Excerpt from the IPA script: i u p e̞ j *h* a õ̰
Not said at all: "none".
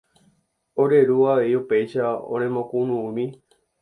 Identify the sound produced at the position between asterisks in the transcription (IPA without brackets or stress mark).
ʃ